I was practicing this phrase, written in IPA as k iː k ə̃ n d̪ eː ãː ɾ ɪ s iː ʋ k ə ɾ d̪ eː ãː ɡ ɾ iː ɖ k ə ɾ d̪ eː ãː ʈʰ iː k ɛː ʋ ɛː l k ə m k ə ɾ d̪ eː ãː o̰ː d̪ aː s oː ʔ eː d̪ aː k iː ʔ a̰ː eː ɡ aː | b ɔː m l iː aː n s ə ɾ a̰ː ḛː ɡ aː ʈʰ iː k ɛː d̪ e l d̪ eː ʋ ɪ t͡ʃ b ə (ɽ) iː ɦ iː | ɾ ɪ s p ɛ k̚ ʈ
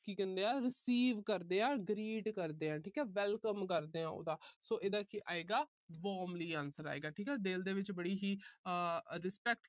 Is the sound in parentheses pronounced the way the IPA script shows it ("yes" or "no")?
yes